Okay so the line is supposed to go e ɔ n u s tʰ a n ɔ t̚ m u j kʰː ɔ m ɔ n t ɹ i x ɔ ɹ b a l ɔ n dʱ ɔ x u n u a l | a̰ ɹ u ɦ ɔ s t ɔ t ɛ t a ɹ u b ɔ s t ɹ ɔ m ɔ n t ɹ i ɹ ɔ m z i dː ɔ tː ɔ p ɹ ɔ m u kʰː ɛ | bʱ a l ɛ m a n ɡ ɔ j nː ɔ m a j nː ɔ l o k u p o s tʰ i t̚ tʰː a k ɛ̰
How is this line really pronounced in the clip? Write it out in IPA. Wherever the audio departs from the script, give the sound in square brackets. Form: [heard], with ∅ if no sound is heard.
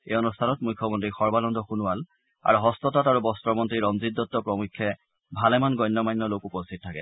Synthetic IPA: e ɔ n u s tʰ a n ɔ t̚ m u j kʰː ɔ m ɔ n t ɹ i x ɔ ɹ b a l ɔ n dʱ ɔ x u n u a l | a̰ ɹ u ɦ ɔ s t ɔ t [a] t a ɹ u b ɔ s t ɹ ɔ m ɔ n t ɹ i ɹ ɔ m z i dː ɔ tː ɔ p ɹ ɔ m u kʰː ɛ | bʱ a l ɛ m a n ɡ ɔ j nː ɔ m a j nː ɔ l o k u p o s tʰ i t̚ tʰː a k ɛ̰